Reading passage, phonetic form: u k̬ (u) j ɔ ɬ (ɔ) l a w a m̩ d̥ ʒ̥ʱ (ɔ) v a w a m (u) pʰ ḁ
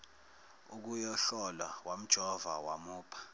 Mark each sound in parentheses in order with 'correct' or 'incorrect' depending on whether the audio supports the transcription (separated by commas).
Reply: correct, correct, correct, incorrect